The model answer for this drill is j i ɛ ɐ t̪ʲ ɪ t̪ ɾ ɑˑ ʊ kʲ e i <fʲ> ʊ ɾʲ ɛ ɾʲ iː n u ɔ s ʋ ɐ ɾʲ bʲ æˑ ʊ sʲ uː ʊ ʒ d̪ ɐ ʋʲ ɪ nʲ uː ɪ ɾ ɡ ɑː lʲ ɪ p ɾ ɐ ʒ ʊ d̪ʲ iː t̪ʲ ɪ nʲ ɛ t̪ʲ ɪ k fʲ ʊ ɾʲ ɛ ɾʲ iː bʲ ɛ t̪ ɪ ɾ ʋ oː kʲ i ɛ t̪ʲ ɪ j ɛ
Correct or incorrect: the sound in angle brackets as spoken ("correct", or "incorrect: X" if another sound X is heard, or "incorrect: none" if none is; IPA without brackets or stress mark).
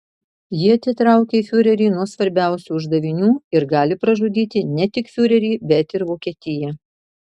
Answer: correct